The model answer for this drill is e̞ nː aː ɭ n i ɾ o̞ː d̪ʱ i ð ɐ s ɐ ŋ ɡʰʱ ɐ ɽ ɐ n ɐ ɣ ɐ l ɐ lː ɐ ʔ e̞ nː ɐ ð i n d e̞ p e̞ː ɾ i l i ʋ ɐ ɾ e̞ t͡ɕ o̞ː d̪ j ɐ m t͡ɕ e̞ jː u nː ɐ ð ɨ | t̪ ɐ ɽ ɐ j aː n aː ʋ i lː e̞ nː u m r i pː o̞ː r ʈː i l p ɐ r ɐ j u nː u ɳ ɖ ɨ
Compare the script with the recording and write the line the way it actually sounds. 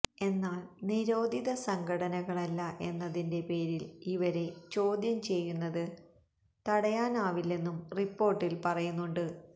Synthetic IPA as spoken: e̞ nː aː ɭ n i ɾ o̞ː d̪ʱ i ð ɐ s ɐ ŋ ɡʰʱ ɐ ɽ ɐ n ɐ ɣ ɐ ɭ ɐ lː ɐ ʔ e̞ nː ɐ ð i n d e̞ p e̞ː ɾ i l i ʋ ɐ ɾ e̞ t͡ɕ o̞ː d̪ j ɐ m t͡ɕ e̞ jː u nː ɐ ð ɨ | t̪ ɐ ɽ ɐ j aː n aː ʋ i lː e̞ nː u m r i pː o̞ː r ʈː i l p ɐ r ɐ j u nː u ɳ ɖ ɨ